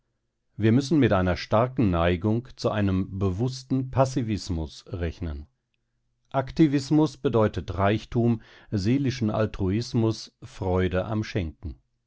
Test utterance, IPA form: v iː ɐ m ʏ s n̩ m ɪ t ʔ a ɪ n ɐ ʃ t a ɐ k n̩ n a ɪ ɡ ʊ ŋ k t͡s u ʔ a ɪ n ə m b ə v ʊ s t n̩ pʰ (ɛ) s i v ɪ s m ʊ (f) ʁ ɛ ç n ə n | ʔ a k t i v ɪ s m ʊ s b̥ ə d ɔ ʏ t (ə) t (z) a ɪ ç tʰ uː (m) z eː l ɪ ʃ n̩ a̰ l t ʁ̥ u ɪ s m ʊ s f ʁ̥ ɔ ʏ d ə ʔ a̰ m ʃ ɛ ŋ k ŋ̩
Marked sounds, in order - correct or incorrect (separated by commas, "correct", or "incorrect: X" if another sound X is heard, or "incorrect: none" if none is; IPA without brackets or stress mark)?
incorrect: a, incorrect: s, correct, incorrect: ʁ, correct